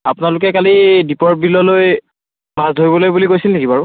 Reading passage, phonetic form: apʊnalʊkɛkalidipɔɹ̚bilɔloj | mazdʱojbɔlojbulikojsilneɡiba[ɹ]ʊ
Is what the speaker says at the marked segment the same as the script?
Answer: yes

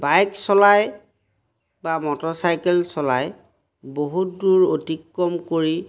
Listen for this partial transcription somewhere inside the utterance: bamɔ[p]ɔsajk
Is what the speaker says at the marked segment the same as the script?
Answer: no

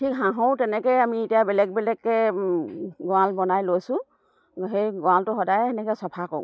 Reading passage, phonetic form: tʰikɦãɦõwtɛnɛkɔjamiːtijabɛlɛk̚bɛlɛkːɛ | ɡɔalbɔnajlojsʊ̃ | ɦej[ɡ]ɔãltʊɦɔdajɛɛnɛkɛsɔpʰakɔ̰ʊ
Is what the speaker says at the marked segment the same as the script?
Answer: yes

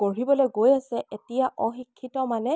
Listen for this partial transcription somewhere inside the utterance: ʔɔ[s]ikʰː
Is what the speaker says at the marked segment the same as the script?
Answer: no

